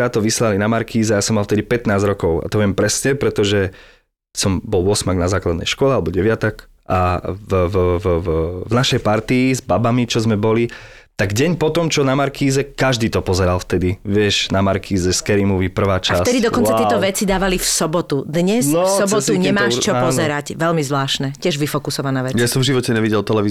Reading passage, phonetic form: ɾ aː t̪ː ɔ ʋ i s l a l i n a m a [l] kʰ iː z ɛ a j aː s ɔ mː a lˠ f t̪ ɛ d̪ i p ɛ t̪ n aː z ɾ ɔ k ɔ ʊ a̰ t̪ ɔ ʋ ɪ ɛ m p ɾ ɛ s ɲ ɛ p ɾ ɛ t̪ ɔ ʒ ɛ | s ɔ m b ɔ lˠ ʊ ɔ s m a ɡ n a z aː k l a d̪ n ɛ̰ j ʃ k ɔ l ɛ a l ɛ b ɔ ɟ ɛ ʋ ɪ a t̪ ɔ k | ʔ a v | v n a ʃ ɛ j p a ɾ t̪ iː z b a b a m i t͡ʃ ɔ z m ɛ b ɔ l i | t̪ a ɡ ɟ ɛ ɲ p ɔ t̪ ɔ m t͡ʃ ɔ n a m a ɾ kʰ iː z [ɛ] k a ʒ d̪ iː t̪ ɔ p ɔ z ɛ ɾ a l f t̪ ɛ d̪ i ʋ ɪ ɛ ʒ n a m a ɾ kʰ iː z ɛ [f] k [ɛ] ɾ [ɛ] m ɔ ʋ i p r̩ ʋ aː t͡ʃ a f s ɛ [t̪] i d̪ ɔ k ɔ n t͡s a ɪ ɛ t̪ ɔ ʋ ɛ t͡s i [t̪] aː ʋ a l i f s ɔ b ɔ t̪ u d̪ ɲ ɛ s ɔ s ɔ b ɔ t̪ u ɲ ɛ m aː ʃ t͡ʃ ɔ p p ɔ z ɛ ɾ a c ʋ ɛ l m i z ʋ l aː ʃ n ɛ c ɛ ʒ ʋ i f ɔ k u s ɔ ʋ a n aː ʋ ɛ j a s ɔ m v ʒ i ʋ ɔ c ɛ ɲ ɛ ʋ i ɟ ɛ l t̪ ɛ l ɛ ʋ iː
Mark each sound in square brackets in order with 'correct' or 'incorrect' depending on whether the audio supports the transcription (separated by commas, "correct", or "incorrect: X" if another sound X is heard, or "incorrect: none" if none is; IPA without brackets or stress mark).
incorrect: ɾ, correct, incorrect: s, correct, incorrect: i, incorrect: d̪, incorrect: d̪